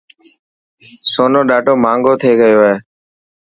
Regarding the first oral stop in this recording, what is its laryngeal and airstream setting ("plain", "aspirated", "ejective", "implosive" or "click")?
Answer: implosive